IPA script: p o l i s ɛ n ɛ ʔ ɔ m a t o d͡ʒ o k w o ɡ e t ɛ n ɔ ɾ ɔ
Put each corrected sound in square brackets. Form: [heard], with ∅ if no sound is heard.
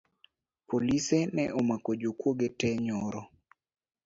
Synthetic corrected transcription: p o l i s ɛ n ɛ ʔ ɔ m a [k] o d͡ʒ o k w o ɡ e t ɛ [ɲ] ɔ ɾ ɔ